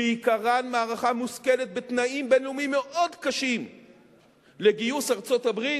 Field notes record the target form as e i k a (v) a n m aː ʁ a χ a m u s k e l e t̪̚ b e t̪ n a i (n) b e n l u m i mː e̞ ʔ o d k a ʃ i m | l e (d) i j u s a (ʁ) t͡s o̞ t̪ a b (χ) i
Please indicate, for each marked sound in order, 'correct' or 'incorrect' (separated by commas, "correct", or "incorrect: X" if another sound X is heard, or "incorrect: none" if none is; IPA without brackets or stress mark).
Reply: incorrect: ʁ, incorrect: m, incorrect: ɡ, correct, incorrect: ʁ